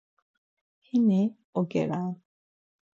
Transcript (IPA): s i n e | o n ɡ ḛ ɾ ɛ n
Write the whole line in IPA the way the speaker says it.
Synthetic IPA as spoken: h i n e | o ɡ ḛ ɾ a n